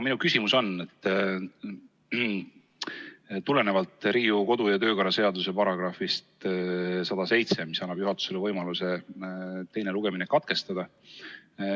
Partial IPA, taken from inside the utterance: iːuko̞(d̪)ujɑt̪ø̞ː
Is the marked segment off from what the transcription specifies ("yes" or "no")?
no